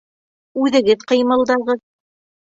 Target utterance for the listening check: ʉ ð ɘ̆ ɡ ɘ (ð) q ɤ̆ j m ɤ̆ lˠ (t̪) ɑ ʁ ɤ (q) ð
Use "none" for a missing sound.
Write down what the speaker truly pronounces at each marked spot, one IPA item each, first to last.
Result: ð, d̪, none

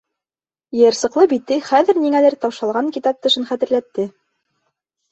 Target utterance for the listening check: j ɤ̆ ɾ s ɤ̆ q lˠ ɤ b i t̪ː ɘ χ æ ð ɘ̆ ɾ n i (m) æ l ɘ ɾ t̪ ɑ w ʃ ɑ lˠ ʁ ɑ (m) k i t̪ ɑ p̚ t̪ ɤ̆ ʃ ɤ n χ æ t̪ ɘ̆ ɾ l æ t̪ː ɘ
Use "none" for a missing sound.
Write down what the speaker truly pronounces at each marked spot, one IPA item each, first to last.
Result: ŋ, ŋ

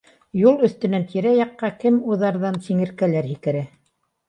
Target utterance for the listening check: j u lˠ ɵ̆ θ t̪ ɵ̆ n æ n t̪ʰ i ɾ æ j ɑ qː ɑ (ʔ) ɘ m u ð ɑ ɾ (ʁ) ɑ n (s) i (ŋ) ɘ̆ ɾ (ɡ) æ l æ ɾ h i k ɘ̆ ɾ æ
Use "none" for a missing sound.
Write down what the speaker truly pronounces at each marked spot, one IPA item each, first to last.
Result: k, ð, s, ŋ, k

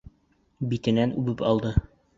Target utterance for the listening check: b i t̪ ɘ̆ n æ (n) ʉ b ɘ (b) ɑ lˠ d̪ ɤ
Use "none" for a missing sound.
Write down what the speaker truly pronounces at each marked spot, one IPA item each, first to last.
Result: n, p

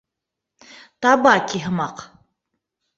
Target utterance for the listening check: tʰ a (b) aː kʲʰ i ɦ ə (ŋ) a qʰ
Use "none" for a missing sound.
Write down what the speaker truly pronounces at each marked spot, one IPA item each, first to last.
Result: b, m

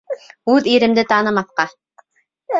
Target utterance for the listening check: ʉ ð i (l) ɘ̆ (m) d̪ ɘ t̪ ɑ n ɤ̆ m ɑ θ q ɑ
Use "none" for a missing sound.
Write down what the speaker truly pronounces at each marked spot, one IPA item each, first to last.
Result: ɾ, m

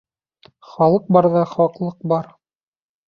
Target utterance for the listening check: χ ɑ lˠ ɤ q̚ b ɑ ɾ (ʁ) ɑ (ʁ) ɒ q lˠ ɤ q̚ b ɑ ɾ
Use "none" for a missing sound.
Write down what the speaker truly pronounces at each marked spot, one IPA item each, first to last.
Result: ð, χ

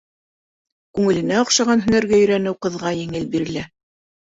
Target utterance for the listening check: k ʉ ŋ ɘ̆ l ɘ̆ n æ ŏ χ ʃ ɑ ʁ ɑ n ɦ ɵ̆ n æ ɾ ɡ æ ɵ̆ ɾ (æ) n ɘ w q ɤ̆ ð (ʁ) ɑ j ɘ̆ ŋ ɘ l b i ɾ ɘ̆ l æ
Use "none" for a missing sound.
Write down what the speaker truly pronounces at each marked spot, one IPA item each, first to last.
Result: æ, ʁ

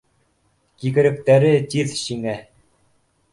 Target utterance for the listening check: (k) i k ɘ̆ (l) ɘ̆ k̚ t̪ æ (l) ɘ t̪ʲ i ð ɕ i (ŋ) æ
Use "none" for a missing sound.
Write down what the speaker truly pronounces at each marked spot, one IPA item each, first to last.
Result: k, ɾ, ɾ, ŋ

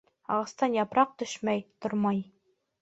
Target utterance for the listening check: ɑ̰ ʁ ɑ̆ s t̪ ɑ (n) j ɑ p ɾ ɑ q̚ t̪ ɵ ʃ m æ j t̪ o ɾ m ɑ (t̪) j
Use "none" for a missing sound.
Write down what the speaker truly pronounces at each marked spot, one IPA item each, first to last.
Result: n, none

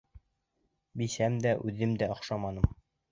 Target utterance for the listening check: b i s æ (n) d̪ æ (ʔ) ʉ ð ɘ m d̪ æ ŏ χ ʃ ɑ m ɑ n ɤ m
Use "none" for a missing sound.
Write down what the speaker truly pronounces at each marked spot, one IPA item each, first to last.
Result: m, ʔ

